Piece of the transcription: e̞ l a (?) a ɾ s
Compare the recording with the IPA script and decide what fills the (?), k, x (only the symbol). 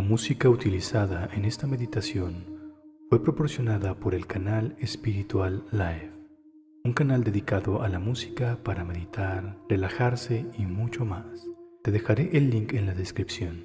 x